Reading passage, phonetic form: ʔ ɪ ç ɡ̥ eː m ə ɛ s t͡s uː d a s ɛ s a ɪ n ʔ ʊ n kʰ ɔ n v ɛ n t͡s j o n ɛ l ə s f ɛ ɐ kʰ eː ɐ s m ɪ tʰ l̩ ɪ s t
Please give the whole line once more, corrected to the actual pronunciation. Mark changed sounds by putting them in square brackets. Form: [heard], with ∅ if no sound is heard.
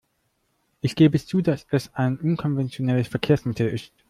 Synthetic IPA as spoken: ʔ ɪ ç ɡ̥ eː [b] ə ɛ s t͡s uː d a s ɛ s a ɪ n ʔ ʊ n kʰ ɔ n v ɛ n t͡s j o n ɛ l ə s f ɛ ɐ kʰ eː ɐ s m ɪ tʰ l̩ ɪ s t

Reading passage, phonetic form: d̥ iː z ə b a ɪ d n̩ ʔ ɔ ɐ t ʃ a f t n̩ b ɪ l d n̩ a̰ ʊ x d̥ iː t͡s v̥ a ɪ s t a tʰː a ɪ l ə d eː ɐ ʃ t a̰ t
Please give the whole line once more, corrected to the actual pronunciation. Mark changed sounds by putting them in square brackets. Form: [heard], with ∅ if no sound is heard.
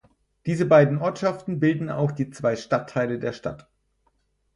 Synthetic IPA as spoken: d̥ iː z ə b a ɪ d n̩ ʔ ɔ ɐ t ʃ a f t n̩ b ɪ l d n̩ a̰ ʊ x d̥ iː t͡s v̥ a ɪ [ʃ] t a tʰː a ɪ l ə d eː ɐ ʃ t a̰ t

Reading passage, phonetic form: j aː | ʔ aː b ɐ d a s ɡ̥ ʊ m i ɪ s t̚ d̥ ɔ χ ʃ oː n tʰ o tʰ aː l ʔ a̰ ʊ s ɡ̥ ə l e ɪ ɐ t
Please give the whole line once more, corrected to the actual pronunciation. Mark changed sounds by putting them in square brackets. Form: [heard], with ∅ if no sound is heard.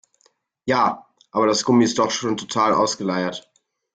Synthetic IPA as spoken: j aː | ʔ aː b ɐ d a s ɡ̥ ʊ m i ɪ s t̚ d̥ ɔ χ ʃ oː n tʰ o tʰ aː l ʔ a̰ ʊ s ɡ̥ ə l [a] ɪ ɐ t

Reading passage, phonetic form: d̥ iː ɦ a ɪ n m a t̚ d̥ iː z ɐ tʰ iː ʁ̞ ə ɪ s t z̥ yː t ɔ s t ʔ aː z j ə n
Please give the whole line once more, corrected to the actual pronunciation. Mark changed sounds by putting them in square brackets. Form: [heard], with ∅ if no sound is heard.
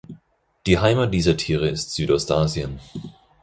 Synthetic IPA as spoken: d̥ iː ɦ a ɪ [∅] m a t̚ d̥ iː z ɐ tʰ iː ʁ̞ ə ɪ s t z̥ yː t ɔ s t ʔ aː z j ə n

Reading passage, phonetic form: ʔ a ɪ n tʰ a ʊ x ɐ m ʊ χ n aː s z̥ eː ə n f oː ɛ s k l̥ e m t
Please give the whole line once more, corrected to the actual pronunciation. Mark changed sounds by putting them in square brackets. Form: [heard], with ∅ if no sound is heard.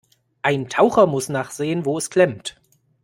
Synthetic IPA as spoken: ʔ a ɪ n tʰ a ʊ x ɐ m ʊ [s] n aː [χ] z̥ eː ə n [v] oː ɛ s k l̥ [ɛ] m t

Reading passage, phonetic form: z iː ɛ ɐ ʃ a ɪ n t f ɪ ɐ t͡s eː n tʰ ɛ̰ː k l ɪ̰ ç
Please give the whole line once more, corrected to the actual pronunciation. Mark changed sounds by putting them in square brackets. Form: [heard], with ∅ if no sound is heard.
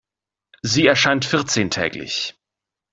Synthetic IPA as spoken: z iː ɛ ɐ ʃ a ɪ n t f ɪ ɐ t͡s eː n tʰ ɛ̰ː k l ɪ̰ ç

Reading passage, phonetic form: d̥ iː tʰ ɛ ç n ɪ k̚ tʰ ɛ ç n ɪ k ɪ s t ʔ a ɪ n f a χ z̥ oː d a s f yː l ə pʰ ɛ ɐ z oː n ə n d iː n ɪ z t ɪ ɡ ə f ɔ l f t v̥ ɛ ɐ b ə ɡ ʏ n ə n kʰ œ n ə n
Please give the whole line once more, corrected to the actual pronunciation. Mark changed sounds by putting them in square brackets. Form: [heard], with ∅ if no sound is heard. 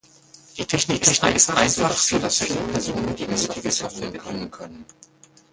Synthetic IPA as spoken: d̥ iː tʰ ɛ ç n ɪ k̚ tʰ ɛ ç n ɪ k ɪ s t ʔ a ɪ n f a χ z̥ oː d a s f [iː] l ə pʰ ɛ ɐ z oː n ə n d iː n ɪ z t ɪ ɡ ə [s] ɔ [∅] f t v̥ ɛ ɐ b ə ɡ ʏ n ə n kʰ œ n ə n

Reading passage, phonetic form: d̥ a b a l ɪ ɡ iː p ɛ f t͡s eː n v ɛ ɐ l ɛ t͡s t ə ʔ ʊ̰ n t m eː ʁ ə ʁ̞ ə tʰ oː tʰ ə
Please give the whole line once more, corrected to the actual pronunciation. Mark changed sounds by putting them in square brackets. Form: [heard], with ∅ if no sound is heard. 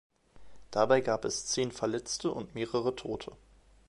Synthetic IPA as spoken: d̥ a b a [∅] ɪ ɡ [aː] p ɛ [s] t͡s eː n [f] ɛ ɐ l ɛ t͡s t ə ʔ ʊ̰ n t m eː ʁ ə ʁ̞ ə tʰ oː tʰ ə

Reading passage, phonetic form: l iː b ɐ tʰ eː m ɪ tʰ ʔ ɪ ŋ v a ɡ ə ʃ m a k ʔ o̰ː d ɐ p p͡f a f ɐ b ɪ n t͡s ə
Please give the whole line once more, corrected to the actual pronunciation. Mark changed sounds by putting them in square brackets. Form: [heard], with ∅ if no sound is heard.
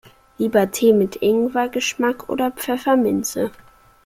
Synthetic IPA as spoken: l iː b ɐ tʰ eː m ɪ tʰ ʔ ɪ ŋ v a ɡ ə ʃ m a k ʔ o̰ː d ɐ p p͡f [ɛ] f ɐ [m] ɪ n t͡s ə

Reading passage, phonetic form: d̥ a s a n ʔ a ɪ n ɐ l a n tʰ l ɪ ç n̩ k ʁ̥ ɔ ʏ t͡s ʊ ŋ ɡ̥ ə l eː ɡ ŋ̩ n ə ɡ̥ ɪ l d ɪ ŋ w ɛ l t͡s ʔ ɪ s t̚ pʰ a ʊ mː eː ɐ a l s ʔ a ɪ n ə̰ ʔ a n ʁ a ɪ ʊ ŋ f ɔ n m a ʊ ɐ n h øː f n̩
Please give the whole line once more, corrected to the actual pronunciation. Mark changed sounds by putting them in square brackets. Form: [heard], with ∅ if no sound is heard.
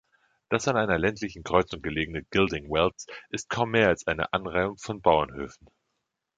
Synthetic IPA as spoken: d̥ a s a n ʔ a ɪ n ɐ l [ɛ] n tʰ l ɪ ç n̩ k ʁ̥ ɔ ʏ t͡s ʊ ŋ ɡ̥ ə l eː ɡ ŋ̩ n ə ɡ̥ ɪ l d ɪ ŋ w ɛ l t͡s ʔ ɪ s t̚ [kʰ] a ʊ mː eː ɐ a l s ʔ a ɪ n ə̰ ʔ a n ʁ a ɪ ʊ ŋ f ɔ n [b] a ʊ ɐ n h øː f n̩

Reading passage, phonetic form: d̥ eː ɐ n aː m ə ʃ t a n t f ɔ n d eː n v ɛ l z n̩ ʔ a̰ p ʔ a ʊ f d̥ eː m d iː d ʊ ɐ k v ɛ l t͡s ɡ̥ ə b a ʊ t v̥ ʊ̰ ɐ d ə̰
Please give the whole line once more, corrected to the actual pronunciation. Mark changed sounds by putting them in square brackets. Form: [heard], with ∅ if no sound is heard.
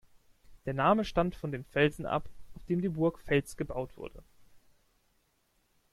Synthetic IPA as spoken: d̥ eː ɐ n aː m ə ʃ t a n t f ɔ n d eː n [f] ɛ l z n̩ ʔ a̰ p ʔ a ʊ f d̥ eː m d iː [b] ʊ ɐ k [f] ɛ l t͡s ɡ̥ ə b a ʊ t v̥ ʊ̰ ɐ d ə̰

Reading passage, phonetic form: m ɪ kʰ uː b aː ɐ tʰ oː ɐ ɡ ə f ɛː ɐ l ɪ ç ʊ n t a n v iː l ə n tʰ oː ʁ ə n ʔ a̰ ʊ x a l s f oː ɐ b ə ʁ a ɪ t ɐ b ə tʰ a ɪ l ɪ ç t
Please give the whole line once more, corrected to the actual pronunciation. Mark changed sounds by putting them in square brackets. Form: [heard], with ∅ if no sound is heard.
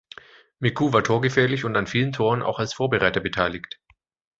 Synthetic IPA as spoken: m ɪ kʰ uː [v] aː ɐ tʰ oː ɐ ɡ ə f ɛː ɐ l ɪ ç ʊ n t a n [f] iː l ə n tʰ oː ʁ ə n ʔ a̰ ʊ x a l s f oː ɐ b ə ʁ a ɪ t ɐ b ə tʰ a ɪ l ɪ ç t

